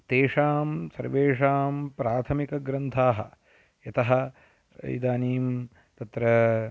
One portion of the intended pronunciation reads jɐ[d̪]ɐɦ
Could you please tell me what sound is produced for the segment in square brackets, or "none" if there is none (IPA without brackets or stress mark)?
t̪